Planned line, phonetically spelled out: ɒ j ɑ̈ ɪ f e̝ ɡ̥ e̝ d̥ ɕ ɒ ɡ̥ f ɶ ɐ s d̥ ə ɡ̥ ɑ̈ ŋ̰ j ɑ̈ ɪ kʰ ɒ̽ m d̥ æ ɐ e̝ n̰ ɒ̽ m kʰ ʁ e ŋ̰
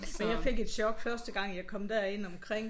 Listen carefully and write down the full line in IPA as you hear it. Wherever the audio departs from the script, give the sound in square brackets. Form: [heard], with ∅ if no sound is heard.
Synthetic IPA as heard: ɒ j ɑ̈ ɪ f e̝ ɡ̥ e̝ d̥ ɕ ɒ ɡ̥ f ɶ ɐ s d̥ ə ɡ̥ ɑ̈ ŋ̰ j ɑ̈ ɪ kʰ ɒ̽ m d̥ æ ɐ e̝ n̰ ɒ̽ m kʰ ʁ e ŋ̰